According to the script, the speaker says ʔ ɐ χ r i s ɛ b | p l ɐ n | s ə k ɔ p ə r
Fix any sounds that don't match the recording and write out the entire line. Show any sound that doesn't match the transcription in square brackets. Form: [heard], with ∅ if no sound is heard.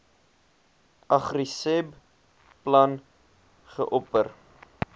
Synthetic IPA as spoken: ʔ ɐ χ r i s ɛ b | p l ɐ n | [χ] ə [ʔ] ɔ p ə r

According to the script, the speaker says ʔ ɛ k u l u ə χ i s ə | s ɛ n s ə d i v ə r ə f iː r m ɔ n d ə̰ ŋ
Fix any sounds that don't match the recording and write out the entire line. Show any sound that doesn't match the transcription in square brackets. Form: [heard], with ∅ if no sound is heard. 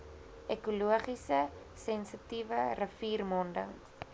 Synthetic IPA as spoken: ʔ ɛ k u l u ə χ i s ə | s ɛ n s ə [t] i v ə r ə f iː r m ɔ n d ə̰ ŋ

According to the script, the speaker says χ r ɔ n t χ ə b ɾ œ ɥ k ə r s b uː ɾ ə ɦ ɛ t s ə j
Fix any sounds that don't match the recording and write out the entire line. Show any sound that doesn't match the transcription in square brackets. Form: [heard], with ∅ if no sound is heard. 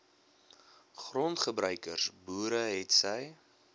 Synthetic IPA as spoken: χ r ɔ n t χ ə b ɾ œ ɥ k ə r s b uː ɾ ə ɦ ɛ t s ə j

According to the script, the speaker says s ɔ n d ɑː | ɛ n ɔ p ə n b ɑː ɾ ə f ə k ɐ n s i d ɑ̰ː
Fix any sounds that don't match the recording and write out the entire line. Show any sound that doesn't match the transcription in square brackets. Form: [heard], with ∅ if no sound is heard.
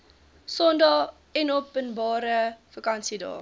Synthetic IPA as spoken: s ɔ n d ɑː | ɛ n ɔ p ə n b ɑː ɾ ə f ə k ɐ n s i d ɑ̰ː

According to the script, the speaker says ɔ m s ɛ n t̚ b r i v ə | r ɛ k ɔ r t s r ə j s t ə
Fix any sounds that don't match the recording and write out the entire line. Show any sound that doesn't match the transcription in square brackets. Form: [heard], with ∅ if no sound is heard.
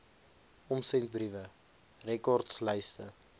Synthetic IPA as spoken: ɔ m s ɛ n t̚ b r i v ə | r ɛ k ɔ r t s [l] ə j s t ə

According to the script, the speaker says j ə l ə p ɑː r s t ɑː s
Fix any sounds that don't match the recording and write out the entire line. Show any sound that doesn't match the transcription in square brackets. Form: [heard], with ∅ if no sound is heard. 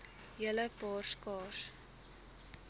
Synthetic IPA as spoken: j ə l ə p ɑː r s [k] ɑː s

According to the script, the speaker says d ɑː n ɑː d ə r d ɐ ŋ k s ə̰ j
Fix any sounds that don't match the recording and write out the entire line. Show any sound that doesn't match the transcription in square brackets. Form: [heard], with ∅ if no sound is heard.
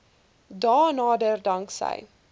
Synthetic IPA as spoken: d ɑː n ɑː d ə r d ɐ ŋ k s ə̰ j

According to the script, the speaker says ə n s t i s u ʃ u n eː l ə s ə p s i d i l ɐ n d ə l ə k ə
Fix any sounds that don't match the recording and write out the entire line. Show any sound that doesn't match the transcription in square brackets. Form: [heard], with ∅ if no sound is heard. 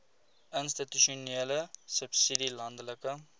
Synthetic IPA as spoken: ə n s t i [t] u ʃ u n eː l ə s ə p s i d i l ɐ n d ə l ə k ə

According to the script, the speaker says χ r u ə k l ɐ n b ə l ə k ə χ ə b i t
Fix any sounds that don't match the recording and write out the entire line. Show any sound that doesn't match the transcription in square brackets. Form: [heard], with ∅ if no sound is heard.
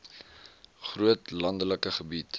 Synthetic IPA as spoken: χ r u ə [t] l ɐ n [d] ə l ə k ə χ ə b i t

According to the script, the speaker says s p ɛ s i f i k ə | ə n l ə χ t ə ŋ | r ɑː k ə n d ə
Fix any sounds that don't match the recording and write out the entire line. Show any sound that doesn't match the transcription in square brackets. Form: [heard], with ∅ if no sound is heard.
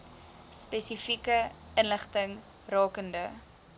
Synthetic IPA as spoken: s p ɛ s i f i k ə | ə n l ə χ t ə ŋ | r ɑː k ə n d ə

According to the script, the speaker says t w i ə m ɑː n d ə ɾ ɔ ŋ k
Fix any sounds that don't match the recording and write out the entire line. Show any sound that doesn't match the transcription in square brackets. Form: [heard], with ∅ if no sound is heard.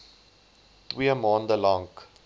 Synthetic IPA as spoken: t w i ə m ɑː n d ə [l] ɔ ŋ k

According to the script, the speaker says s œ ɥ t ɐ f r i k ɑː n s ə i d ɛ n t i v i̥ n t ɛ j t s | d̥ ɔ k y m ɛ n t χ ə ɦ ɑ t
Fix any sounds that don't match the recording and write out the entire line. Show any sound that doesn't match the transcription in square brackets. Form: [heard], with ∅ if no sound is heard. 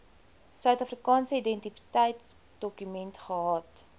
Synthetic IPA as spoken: s œ ɥ t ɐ f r i k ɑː n s ə i d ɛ n t i [f] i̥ [∅] t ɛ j t s | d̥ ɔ k y m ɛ n t χ ə ɦ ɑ t

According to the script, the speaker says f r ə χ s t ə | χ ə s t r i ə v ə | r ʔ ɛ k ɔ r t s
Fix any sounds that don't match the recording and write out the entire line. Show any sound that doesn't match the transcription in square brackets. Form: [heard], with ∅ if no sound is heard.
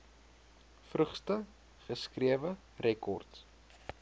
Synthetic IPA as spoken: f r ə χ s t ə | χ ə s [k] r i ə v ə | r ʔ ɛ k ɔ r t s

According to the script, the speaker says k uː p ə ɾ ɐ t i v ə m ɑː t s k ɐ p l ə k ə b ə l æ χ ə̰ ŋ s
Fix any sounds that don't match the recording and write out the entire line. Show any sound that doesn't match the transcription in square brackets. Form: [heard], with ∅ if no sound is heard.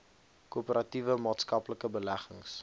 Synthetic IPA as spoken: k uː p ə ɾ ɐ t i v ə m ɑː t s k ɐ p l ə k ə b ə l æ χ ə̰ ŋ s

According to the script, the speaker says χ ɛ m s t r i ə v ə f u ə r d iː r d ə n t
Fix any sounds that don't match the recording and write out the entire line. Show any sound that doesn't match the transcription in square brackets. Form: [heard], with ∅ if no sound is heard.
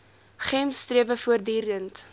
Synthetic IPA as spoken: χ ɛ m s t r i ə v ə f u ə r d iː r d ə n t

